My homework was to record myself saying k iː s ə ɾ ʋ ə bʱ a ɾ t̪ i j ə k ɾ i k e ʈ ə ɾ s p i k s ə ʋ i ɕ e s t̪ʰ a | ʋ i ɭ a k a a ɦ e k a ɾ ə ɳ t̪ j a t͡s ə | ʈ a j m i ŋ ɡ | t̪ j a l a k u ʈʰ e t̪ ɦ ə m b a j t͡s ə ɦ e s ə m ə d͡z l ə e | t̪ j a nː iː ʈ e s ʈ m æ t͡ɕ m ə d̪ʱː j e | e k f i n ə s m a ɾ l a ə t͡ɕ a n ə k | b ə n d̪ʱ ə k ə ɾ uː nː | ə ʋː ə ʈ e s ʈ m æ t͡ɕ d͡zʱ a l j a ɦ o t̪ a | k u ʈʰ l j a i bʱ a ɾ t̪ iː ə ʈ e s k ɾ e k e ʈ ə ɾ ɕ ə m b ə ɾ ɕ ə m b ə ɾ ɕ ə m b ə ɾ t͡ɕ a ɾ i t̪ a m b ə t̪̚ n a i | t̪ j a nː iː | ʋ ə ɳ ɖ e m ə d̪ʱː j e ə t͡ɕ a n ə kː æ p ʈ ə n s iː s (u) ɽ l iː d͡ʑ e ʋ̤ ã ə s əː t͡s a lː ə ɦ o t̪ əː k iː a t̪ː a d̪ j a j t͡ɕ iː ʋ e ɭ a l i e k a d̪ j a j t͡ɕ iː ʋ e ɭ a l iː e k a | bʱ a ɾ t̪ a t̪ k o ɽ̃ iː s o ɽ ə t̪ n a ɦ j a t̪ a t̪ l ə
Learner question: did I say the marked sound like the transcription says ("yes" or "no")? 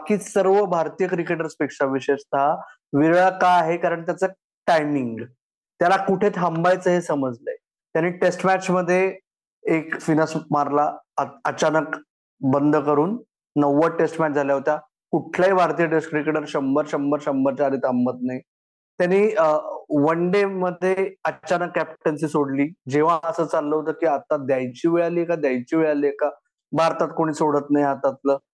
no